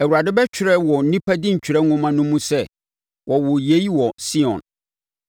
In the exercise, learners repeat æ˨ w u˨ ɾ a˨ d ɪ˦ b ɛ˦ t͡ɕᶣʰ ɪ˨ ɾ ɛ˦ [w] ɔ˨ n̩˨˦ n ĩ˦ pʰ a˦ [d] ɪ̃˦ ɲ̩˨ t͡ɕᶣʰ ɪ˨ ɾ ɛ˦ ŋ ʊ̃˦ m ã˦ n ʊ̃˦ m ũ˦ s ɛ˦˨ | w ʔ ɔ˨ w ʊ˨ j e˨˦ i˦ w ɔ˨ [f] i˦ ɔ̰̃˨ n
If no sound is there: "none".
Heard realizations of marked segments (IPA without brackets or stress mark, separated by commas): w, d, s